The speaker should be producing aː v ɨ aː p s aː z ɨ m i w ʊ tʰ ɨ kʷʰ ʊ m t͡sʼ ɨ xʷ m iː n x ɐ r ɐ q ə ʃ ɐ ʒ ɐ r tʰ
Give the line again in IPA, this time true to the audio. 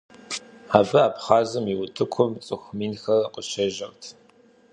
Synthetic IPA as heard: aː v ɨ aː p χ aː z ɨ m i w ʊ tʰ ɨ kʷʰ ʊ m t͡sʼ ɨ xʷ m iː n x ɐ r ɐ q ə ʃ ɐ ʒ ɐ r tʰ